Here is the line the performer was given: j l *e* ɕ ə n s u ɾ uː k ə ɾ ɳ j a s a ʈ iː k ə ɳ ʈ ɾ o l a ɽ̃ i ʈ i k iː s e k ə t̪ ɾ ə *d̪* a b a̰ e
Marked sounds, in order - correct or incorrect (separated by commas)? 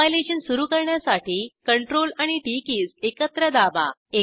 correct, correct